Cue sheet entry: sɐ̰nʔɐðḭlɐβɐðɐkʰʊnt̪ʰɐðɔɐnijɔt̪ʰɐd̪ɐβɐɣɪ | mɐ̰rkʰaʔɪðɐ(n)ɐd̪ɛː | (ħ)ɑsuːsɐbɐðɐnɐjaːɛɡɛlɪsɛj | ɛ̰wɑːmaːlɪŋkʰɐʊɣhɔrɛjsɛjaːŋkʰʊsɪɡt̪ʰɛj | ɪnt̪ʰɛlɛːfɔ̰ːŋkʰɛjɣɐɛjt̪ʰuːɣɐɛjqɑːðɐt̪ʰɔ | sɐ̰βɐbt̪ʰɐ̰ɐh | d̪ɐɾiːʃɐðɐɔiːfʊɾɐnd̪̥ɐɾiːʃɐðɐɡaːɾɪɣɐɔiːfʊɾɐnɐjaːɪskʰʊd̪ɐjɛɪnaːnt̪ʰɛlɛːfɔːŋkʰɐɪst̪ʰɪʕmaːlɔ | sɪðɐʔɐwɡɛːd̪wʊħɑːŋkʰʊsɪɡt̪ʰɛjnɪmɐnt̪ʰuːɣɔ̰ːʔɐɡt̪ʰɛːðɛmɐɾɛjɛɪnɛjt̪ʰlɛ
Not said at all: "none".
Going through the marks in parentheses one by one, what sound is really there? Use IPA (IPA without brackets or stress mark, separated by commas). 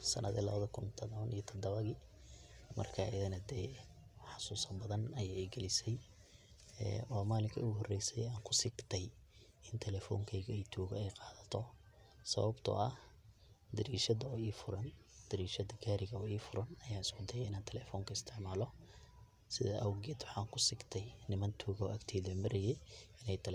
n, ħ